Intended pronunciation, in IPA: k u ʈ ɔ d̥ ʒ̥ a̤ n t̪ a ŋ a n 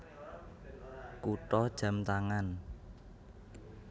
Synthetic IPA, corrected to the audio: k u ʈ ɔ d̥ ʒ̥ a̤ m t̪ a ŋ a n